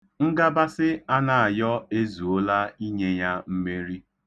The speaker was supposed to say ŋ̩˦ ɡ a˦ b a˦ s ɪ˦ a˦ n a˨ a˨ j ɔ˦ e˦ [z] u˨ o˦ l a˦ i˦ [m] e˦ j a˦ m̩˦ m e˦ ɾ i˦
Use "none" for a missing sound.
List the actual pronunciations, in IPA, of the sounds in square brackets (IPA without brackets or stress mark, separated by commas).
z, ɲ